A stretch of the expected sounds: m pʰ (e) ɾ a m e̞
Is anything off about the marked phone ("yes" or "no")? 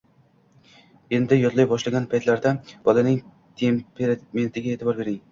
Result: no